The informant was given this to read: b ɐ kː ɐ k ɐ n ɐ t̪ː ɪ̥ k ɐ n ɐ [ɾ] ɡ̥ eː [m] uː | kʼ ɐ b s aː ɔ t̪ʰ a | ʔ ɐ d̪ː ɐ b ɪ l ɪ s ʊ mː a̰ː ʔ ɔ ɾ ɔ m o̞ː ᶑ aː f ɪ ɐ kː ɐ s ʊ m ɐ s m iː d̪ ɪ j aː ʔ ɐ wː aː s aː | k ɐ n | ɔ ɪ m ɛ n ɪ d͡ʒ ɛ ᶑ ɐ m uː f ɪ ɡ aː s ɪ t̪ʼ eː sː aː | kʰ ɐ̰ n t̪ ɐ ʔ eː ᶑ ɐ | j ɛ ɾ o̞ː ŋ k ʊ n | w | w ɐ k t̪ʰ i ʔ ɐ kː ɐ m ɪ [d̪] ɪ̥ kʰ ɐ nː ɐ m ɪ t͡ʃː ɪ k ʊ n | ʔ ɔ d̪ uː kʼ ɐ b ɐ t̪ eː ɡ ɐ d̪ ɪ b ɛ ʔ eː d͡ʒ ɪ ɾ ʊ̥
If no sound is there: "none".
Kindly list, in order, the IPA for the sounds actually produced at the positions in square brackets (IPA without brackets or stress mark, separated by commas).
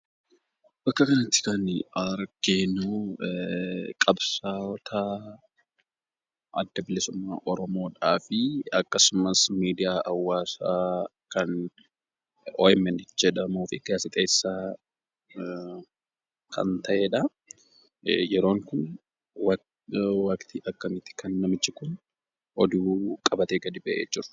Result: ɾ, n, t̪